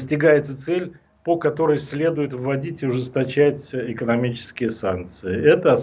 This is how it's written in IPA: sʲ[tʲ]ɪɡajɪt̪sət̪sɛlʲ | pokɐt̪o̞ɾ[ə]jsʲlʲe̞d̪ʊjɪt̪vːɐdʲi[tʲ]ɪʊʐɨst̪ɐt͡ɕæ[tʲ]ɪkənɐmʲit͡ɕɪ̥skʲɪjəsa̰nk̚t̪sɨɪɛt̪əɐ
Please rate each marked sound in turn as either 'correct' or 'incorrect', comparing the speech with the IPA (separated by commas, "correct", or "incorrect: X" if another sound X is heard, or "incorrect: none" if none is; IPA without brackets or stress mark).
correct, correct, correct, correct